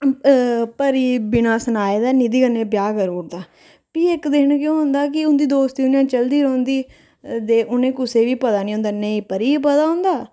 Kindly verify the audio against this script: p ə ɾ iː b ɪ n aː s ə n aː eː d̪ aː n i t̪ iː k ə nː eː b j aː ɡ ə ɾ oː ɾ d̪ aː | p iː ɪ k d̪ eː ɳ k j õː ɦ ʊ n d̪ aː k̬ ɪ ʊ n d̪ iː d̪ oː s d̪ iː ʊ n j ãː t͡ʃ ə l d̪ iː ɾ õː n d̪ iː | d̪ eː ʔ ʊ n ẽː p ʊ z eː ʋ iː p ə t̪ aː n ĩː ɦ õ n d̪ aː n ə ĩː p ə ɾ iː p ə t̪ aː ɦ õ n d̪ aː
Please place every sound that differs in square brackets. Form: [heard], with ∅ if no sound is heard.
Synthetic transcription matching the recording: p ə ɾ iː b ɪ n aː s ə n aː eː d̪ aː n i [d̪] iː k ə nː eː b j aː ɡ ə ɾ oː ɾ d̪ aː | p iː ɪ k d̪ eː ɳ k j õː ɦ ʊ n d̪ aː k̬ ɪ ʊ n d̪ iː d̪ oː s [t̪] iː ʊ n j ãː t͡ʃ ə l d̪ iː ɾ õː n d̪ iː | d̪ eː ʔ ʊ n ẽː [k] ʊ [s] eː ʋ iː p ə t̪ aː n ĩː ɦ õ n d̪ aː n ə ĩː p ə ɾ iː p ə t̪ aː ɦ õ n d̪ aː